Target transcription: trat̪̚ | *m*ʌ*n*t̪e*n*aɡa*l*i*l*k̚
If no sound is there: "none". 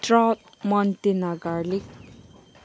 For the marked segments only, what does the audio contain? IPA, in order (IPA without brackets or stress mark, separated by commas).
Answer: m, n, n, l, none